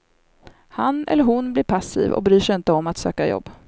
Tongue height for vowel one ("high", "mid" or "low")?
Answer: low